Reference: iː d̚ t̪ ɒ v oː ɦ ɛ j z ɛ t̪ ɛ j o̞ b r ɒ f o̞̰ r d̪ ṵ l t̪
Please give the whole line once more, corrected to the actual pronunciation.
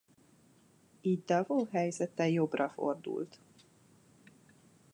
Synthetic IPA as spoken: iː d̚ d̪ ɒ v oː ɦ ɛ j z ɛ t̪ ɛ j o̞ b r ɒ f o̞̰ r d̪ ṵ l t̪